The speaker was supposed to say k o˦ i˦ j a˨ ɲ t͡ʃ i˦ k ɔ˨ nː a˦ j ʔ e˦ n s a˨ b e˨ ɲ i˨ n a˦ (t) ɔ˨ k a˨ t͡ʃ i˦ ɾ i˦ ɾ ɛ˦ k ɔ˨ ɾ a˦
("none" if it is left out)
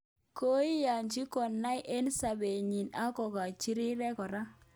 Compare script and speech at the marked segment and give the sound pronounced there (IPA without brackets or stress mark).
k